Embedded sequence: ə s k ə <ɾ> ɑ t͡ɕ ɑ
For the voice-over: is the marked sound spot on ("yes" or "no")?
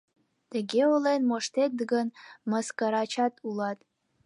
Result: yes